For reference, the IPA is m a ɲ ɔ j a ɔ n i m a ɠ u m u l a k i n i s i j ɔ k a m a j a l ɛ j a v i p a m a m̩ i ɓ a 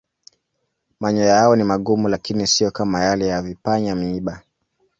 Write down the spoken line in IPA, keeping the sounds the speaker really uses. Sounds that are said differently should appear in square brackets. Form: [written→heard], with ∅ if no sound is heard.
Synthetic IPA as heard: m a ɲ ɔ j a ɔ n i m a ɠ u m u l a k i n i s i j ɔ k a m a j a l ɛ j a v i p a [m→ɲ] a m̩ i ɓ a